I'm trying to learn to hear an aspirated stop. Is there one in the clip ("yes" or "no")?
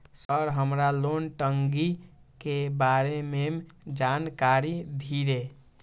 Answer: no